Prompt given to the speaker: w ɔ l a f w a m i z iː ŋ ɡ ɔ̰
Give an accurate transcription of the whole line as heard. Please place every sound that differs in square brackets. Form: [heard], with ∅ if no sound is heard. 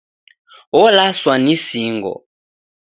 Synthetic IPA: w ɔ l a [s] w a [n] i [s] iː ŋ ɡ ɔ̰